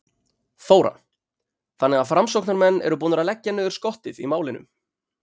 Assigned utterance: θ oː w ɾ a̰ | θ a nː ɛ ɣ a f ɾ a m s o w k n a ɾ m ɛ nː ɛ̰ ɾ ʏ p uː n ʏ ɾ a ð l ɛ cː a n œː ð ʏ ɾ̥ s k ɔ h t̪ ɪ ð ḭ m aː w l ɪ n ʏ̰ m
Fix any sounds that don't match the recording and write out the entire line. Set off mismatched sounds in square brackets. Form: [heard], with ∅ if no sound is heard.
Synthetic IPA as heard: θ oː w ɾ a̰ | θ a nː ɛ ɣ a f ɾ a m s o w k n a ɾ m ɛ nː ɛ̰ ɾ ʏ p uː n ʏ ɾ a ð l ɛ cː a n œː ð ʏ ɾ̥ s k ɔ h t̪ ɪ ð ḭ m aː w l ɪ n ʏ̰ m